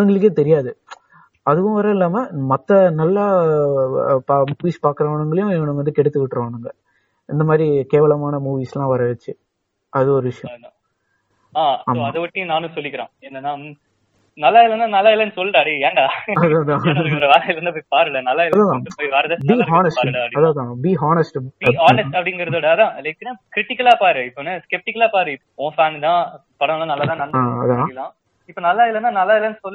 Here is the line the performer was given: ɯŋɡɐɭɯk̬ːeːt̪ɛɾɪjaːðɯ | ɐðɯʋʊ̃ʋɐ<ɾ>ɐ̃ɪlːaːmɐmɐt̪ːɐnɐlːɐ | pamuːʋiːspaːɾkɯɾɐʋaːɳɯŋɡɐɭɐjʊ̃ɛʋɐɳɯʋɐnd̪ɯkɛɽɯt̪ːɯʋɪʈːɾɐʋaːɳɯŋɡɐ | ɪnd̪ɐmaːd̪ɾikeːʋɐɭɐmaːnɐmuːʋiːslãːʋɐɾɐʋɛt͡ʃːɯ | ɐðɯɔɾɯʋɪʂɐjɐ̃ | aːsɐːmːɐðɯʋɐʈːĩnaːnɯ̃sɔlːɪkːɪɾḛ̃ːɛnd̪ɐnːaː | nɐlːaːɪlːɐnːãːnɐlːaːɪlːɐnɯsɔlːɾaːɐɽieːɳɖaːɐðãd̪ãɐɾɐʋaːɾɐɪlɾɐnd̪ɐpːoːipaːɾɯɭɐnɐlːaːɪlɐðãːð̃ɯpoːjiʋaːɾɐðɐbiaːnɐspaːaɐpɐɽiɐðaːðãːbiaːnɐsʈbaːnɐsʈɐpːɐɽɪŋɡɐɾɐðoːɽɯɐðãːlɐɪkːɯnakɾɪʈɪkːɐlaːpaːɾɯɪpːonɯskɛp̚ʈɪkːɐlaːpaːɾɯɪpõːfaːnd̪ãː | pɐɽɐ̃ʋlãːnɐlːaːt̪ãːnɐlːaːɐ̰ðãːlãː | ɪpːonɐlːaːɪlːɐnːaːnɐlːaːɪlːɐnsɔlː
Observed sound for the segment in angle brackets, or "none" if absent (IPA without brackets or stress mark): ɾ